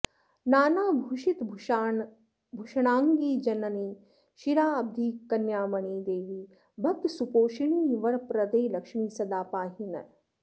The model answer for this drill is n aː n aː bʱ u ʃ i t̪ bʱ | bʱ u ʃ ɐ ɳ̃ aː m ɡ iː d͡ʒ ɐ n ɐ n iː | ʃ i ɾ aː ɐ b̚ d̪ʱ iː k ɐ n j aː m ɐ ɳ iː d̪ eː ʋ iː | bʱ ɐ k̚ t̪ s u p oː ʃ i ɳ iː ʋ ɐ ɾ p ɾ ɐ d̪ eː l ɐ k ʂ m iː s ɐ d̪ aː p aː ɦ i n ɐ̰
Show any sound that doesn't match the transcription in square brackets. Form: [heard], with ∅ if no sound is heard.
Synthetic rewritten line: n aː n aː bʱ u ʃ i t̪ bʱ | bʱ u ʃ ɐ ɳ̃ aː [ŋ] ɡ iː d͡ʒ ɐ n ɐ n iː | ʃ i ɾ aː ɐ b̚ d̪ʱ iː k ɐ n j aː m ɐ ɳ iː d̪ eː ʋ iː | bʱ ɐ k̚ t̪ s u p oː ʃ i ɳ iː ʋ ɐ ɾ p ɾ ɐ d̪ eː l ɐ k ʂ m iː s ɐ d̪ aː p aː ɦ i n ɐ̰

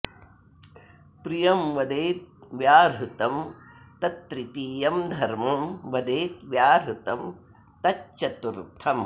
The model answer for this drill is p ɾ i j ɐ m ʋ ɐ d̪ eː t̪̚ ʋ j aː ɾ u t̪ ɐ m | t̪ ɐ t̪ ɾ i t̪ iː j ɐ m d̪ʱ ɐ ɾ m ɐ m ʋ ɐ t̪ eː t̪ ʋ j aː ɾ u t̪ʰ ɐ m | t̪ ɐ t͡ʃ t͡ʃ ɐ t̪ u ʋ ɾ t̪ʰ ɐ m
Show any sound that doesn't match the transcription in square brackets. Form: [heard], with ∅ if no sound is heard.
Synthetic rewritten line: p ɾ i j ɐ m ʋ ɐ d̪ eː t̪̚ ʋ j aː ɾ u t̪ ɐ m | t̪ ɐ t̪ ɾ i t̪ iː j ɐ m d̪ʱ ɐ ɾ m ɐ m ʋ ɐ [d̪] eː t̪ ʋ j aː ɾ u [t̪] ɐ m | t̪ ɐ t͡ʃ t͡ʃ ɐ t̪ u [∅] ɾ t̪ʰ ɐ m

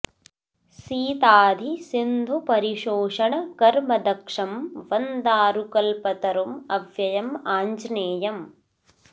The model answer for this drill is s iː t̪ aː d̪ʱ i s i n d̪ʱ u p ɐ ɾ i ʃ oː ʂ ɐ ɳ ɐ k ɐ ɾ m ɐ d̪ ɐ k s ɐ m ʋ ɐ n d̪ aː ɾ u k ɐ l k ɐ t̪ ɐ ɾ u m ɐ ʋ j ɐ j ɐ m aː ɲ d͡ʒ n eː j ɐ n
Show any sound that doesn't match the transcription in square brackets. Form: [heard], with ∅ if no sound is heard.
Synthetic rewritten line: s iː t̪ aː d̪ʱ i s i n d̪ʱ u p ɐ ɾ i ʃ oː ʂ ɐ ɳ ɐ k ɐ ɾ m ɐ d̪ ɐ k [ʂ] ɐ m ʋ ɐ n d̪ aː ɾ u k ɐ l [p] ɐ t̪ ɐ ɾ u m ɐ ʋ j ɐ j ɐ m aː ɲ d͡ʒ n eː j ɐ [m]

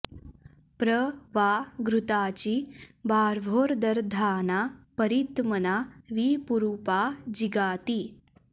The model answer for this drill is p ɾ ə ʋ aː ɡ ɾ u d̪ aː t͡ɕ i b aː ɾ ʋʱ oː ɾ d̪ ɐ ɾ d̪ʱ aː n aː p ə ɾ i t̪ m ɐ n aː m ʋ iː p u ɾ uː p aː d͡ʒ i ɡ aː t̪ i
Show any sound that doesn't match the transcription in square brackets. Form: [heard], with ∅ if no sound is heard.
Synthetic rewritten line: p ɾ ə ʋ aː ɡ ɾ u [t̪] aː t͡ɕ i b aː ɾ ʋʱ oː ɾ d̪ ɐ ɾ d̪ʱ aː n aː p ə ɾ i t̪ m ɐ n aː [∅] ʋ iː p u ɾ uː p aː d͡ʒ i ɡ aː t̪ i

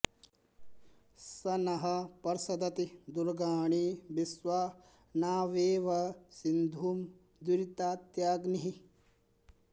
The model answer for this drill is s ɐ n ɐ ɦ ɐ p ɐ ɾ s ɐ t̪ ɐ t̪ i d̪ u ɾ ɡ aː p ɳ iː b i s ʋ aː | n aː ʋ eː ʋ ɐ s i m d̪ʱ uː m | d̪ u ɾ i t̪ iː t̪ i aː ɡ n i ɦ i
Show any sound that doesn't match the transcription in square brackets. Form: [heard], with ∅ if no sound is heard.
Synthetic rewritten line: s ɐ n ɐ ɦ ɐ p ɐ ɾ s ɐ [d̪] ɐ t̪ i d̪ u ɾ ɡ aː [∅] ɳ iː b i s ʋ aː | n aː ʋ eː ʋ ɐ s i [n] d̪ʱ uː m | d̪ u ɾ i t̪ [aː] t̪ [j] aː ɡ n i ɦ i

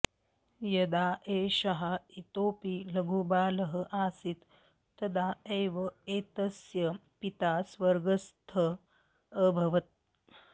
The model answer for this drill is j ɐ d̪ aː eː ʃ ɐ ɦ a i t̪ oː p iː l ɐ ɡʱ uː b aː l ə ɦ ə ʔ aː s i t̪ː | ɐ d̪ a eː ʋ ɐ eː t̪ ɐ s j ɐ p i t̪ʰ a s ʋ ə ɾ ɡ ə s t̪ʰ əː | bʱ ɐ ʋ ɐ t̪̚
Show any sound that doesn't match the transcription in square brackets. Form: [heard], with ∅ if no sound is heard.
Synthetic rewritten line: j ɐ d̪ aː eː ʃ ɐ ɦ a i t̪ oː p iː l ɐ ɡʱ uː b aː l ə ɦ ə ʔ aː s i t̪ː | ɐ d̪ a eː ʋ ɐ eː t̪ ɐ s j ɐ p i [t̪] a s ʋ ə ɾ ɡ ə s t̪ʰ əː | bʱ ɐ ʋ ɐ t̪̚

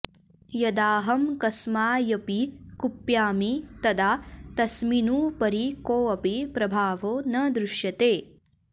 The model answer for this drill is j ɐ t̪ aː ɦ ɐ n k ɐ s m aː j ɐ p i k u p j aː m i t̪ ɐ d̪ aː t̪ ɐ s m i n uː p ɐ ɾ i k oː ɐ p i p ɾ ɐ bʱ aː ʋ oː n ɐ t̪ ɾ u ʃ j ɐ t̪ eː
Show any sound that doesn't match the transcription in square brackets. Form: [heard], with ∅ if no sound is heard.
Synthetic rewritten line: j ɐ [d̪] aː ɦ ɐ [m] k ɐ s m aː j ɐ p i k u p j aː m i t̪ ɐ d̪ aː t̪ ɐ s m i n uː p ɐ ɾ i k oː ɐ p i p ɾ ɐ bʱ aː ʋ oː n ɐ [d̪] ɾ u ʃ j ɐ t̪ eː

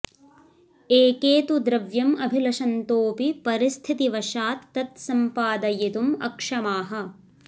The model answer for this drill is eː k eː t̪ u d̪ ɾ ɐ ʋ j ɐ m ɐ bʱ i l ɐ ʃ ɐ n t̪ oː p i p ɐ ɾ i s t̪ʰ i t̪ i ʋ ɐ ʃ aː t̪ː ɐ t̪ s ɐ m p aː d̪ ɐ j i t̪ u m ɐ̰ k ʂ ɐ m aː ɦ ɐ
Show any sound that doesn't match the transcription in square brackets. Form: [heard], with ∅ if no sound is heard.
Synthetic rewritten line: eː k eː t̪ u d̪ ɾ ɐ ʋ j ɐ m ɐ bʱ i l ɐ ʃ ɐ n t̪ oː p i p ɐ ɾ i s t̪ʰ i t̪ i ʋ ɐ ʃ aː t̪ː ɐ t̪ s ɐ m p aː d̪ ɐ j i t̪ u m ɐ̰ k ʂ ɐ m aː ɦ ɐ

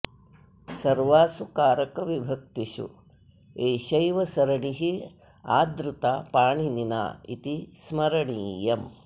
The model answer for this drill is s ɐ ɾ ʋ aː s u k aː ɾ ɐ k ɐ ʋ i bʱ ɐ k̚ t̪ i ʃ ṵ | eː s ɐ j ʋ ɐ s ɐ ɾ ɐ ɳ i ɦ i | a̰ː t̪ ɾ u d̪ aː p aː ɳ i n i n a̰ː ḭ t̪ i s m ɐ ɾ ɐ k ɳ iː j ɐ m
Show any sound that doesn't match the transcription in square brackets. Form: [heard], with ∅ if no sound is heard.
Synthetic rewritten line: s ɐ ɾ ʋ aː s u k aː ɾ ɐ k ɐ ʋ i bʱ ɐ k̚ t̪ i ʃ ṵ | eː [ʃ] ɐ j ʋ ɐ s ɐ ɾ ɐ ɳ i ɦ i | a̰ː [d̪] ɾ u [t̪] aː p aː ɳ i n i n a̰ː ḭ t̪ i s m ɐ ɾ ɐ [∅] ɳ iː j ɐ m

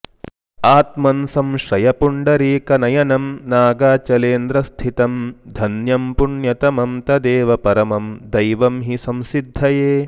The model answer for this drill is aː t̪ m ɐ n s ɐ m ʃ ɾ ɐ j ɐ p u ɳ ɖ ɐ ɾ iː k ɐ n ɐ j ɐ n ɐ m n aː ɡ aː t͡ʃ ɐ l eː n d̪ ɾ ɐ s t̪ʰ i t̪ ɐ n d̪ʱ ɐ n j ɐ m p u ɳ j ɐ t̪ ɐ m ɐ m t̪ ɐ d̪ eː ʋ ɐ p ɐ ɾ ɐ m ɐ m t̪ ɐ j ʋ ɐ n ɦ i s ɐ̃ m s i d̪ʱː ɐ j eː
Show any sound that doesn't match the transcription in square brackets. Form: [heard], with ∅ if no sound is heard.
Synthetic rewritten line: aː t̪ m ɐ n s ɐ m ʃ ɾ ɐ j ɐ p u ɳ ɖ ɐ ɾ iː k ɐ n ɐ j ɐ n ɐ m n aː ɡ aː t͡ʃ ɐ l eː n d̪ ɾ ɐ s t̪ʰ i t̪ ɐ [m] d̪ʱ ɐ n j ɐ m p u ɳ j ɐ t̪ ɐ m ɐ m t̪ ɐ d̪ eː ʋ ɐ p ɐ ɾ ɐ m ɐ m [d̪] ɐ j ʋ ɐ [m] ɦ i s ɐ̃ m s i d̪ʱː ɐ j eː

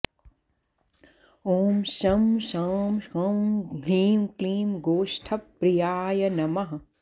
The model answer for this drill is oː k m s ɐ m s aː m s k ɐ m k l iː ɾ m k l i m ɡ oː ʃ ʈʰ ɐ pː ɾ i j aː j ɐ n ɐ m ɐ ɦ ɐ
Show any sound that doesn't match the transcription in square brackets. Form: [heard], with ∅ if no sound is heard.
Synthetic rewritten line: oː [∅] m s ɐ m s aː m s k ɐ m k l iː [∅] m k l [iː] m ɡ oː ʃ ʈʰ ɐ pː ɾ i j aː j ɐ n ɐ m ɐ ɦ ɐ

